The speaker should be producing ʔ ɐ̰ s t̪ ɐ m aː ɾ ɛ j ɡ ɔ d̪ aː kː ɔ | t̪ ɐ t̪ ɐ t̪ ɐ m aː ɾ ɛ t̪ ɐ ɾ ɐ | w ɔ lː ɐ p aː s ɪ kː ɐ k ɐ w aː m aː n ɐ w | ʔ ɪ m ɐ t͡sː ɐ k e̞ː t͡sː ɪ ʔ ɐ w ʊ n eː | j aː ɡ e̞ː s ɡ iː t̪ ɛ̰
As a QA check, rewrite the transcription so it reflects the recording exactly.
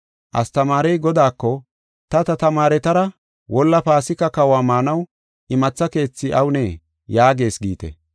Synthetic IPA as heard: ʔ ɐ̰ s t̪ ɐ m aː ɾ ɛ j ɡ ɔ d̪ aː kː ɔ | t̪ ɐ t̪ ɐ t̪ ɐ m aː ɾ ɛ t̪ ɐ ɾ ɐ | w ɔ lː ɐ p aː s ɪ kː ɐ k ɐ w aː m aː n ɐ w | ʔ ɪ m ɐ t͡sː ɐ k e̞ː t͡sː ɪ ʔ ɐ w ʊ n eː | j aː ɡ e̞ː s ɡ iː t̪ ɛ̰